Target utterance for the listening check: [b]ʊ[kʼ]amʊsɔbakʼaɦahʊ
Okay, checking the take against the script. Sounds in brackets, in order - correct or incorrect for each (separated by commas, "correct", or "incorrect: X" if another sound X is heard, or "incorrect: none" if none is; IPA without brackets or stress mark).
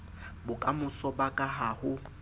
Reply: correct, correct